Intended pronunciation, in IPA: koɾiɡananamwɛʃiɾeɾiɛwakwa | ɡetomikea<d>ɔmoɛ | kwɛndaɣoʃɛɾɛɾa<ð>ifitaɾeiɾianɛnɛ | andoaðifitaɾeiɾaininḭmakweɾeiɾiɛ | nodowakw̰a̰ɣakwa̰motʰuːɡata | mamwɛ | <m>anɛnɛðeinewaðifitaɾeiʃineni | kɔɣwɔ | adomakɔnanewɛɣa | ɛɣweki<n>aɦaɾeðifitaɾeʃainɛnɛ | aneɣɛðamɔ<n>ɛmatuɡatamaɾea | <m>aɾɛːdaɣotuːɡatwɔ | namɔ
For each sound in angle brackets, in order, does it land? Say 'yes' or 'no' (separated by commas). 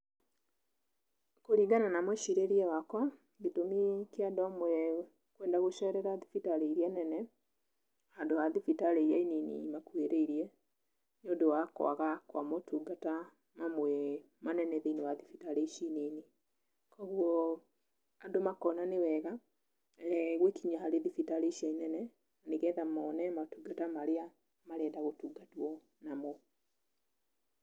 yes, yes, yes, no, yes, yes